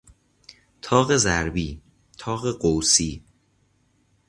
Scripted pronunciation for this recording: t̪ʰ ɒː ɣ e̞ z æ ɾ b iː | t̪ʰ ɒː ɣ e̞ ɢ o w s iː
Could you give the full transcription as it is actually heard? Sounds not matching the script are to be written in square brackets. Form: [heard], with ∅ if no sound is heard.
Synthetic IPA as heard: t̪ʰ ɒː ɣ e̞ z æ ɾ b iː | t̪ʰ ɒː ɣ e̞ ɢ o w s iː